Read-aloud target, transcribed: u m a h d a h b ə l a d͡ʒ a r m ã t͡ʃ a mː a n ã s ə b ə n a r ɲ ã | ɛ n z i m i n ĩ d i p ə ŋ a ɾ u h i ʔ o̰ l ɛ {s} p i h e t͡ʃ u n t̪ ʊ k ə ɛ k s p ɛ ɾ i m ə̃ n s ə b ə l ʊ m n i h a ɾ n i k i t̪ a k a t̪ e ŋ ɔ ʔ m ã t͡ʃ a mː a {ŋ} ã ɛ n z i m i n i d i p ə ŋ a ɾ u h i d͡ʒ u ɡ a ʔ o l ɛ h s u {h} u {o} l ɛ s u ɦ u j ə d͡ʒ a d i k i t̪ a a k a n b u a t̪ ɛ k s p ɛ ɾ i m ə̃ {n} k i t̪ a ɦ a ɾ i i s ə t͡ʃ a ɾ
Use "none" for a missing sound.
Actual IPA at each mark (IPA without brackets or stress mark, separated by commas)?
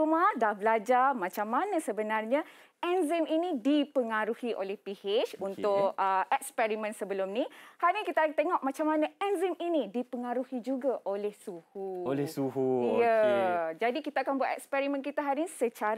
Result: h, n, h, o, n